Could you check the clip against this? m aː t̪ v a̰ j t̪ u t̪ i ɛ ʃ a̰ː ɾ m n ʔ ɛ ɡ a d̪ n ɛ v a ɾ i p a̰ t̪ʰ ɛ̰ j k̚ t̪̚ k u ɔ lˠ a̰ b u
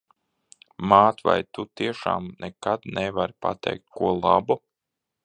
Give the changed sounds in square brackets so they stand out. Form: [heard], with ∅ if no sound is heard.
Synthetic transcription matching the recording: m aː t̪ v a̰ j t̪ u t̪ i ɛ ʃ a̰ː [∅] m n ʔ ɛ [k] a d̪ n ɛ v a ɾ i p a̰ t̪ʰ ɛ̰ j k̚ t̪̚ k u ɔ lˠ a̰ b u